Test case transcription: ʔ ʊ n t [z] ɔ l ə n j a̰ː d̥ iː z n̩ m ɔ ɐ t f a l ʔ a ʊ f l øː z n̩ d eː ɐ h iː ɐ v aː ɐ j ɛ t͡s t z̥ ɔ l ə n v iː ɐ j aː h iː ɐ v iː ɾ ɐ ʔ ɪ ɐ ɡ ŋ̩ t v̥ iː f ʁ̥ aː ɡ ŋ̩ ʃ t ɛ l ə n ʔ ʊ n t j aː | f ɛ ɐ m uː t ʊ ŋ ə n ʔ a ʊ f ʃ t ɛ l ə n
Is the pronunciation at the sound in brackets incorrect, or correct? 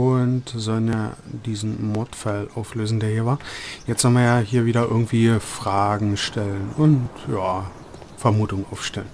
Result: correct